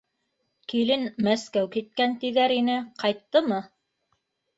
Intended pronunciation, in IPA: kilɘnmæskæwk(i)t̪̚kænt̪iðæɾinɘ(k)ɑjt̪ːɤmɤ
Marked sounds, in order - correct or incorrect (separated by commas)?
correct, incorrect